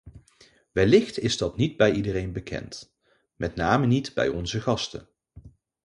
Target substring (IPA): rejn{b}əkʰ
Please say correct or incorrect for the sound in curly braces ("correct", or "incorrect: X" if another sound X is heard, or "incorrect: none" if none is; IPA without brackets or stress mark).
correct